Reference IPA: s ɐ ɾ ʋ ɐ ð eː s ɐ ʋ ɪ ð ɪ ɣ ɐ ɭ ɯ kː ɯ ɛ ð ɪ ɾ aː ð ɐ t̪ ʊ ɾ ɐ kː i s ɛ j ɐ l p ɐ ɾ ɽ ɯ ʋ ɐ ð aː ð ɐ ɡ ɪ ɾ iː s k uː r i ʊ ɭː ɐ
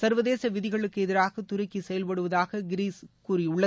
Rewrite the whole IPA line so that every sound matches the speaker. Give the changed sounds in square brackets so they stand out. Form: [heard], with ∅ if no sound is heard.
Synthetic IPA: s ɐ ɾ ʋ ɐ ð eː s ɐ ʋ ɪ ð ɪ ɣ ɐ ɭ ɯ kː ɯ ɛ ð ɪ ɾ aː [ɣ] ɐ t̪ ʊ ɾ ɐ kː i s ɛ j ɐ l p ɐ [∅] ɽ ɯ ʋ ɐ ð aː [ɣ] ɐ ɡ ɪ ɾ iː s k uː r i ʊ ɭː ɐ